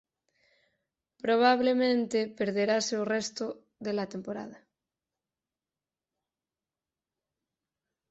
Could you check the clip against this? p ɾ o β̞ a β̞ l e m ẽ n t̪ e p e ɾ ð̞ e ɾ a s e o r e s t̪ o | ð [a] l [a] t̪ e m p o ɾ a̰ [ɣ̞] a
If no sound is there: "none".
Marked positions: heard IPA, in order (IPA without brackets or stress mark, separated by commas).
e, a, ð̞